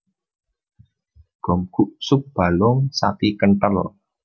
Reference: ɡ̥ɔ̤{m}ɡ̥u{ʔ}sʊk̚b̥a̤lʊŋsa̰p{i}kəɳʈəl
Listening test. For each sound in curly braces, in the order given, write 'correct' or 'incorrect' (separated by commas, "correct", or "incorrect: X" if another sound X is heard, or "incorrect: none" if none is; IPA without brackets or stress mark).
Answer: correct, correct, correct